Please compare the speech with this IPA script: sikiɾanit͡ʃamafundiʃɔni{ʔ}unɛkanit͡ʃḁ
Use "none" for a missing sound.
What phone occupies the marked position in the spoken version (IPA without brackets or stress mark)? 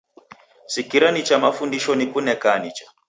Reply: k